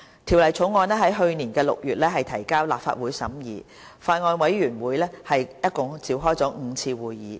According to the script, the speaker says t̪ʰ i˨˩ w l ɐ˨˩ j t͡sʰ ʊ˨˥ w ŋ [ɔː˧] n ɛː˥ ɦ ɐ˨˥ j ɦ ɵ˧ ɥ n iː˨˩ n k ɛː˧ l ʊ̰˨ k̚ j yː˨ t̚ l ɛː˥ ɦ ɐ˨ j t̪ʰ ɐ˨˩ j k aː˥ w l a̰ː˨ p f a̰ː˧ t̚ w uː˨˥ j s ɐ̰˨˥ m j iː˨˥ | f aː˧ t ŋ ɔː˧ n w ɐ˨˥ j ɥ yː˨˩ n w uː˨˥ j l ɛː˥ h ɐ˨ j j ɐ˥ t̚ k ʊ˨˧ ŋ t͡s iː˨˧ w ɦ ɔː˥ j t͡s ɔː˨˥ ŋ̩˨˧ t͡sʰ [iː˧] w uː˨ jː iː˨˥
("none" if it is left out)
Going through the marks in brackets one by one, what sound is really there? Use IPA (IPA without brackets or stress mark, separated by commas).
ɔː˧, iː˧